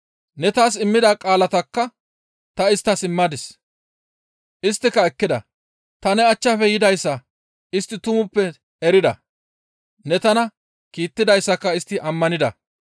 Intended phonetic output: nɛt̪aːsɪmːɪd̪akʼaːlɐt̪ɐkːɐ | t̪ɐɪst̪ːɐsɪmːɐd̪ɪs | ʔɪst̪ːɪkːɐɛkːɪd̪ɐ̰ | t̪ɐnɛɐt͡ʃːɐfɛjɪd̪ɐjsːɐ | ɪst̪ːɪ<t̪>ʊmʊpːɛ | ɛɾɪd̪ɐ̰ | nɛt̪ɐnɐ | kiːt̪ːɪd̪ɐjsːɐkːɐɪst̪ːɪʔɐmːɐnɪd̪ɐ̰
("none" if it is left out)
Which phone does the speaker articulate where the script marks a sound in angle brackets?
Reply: t̪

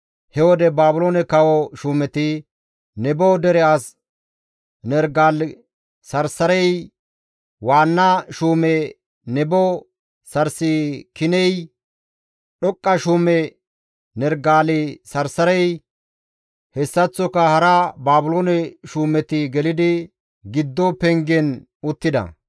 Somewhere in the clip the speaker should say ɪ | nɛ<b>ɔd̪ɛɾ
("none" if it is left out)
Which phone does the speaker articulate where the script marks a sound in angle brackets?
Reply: b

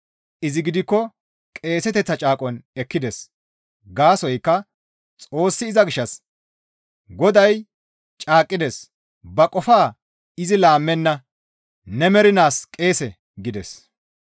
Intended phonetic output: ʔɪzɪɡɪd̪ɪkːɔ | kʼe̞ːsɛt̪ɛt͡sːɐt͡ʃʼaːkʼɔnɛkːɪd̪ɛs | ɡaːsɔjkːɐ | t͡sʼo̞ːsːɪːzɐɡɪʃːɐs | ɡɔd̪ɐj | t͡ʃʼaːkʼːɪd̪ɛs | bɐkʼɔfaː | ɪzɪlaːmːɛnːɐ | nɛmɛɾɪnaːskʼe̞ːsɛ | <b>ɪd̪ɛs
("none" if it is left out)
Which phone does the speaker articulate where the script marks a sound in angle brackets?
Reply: ɡ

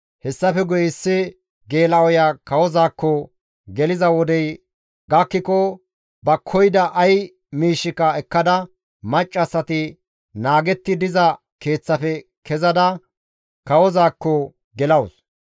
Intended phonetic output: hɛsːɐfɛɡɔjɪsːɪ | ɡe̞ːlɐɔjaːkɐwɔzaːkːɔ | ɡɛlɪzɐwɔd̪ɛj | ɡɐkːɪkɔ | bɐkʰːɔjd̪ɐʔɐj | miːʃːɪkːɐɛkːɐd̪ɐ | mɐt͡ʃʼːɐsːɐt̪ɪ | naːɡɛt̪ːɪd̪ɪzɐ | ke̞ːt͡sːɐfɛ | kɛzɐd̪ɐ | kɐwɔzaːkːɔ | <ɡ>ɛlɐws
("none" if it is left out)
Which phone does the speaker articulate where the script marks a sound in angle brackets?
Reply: ɡ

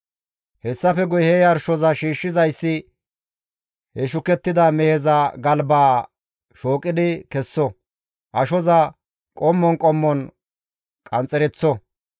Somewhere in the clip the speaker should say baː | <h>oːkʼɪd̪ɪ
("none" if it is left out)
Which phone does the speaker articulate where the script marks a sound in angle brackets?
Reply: ʃ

